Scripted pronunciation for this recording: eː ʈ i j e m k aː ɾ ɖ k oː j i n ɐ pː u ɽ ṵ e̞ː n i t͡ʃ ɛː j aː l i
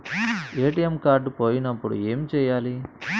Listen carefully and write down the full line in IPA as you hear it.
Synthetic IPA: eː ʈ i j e m k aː ɾ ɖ p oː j i n ɐ pː u ɽ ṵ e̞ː m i t͡ʃ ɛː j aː l i